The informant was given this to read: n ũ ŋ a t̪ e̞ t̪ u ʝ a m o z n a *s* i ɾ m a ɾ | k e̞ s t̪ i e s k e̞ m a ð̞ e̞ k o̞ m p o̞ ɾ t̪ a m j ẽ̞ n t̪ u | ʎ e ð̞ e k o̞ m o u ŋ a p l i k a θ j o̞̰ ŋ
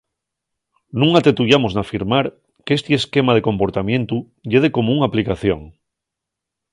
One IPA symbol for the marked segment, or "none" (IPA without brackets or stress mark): f